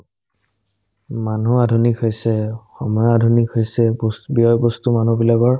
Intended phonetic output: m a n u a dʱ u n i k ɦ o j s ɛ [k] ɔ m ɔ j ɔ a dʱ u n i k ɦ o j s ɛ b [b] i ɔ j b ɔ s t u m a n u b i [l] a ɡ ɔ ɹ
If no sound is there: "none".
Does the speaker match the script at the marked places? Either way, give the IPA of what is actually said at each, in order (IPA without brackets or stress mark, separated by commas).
x, b, l